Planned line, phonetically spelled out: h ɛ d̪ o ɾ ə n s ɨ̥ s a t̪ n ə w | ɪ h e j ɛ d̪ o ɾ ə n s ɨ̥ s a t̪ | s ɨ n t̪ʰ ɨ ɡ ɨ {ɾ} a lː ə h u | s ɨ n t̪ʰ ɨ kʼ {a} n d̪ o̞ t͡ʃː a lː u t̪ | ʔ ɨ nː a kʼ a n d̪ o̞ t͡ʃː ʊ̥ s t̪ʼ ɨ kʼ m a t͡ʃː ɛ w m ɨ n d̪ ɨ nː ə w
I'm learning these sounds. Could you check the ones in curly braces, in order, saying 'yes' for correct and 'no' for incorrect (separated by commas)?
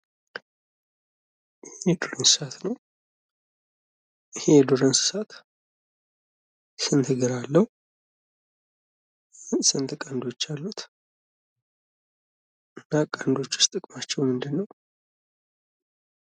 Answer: yes, yes